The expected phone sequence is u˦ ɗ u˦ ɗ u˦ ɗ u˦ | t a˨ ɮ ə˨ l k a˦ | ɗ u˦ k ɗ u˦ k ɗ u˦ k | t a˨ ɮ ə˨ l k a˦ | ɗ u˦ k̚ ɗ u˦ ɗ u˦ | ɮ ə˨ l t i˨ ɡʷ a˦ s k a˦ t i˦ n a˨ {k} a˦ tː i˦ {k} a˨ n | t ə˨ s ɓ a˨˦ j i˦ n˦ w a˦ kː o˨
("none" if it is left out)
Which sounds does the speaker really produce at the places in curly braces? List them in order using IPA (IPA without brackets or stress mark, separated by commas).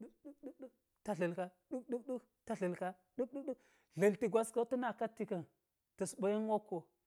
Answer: k, k